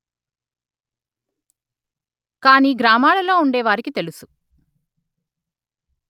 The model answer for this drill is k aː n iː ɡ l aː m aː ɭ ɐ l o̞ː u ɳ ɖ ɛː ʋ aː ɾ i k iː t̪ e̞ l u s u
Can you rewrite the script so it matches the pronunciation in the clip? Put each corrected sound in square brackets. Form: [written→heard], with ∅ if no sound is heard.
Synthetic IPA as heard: k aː n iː ɡ [l→ɾ] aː m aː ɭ ɐ l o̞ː u ɳ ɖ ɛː ʋ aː ɾ i k [iː→i] t̪ e̞ l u s u